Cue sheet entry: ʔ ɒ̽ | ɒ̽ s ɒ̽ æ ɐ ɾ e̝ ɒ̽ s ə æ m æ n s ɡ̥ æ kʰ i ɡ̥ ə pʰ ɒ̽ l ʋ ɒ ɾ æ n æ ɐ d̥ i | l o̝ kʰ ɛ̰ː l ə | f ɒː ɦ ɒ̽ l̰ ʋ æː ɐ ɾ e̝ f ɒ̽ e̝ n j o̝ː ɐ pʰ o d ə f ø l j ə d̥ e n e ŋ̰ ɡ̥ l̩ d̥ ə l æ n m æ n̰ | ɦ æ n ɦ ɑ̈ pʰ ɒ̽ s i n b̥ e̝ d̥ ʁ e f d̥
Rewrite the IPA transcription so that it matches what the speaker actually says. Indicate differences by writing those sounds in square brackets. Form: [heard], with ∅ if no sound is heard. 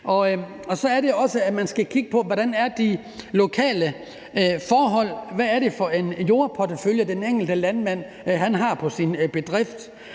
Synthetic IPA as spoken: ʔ ɒ̽ | ɒ̽ s ɒ̽ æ ɐ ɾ e̝ ɒ̽ s ə æ m æ n s ɡ̥ æ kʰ i ɡ̥ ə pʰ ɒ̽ [∅] ʋ ɒ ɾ æ n æ ɐ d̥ i | l o̝ kʰ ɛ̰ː l ə | f ɒː ɦ ɒ̽ l̰ ʋ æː ɐ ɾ e̝ f ɒ̽ e̝ n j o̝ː ɐ pʰ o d ə f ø l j ə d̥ e n e ŋ̰ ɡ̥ l̩ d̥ ə l æ n m æ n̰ | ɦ æ n ɦ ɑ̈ pʰ ɒ̽ s i n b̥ e̝ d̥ ʁ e f d̥